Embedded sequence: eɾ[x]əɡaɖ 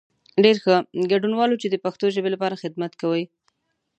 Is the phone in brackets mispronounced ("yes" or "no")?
no